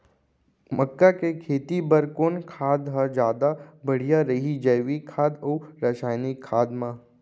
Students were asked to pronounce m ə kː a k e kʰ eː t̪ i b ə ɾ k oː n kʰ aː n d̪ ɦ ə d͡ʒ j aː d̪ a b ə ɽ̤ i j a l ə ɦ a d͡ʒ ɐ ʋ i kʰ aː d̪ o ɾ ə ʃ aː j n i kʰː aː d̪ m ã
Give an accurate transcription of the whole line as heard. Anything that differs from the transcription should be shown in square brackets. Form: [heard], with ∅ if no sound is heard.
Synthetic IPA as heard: m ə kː a k e kʰ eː t̪ i b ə ɾ k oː n kʰ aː [∅] d̪ ɦ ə d͡ʒ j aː d̪ a b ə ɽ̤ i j a [ɾ] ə ɦ [i] d͡ʒ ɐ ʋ i kʰ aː d̪ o ɾ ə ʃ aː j n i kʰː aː d̪ m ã